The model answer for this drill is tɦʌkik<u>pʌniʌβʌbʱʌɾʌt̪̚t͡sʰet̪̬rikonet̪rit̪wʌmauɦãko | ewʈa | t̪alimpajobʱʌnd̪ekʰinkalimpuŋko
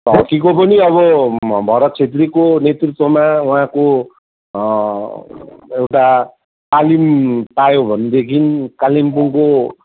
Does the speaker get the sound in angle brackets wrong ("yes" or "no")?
yes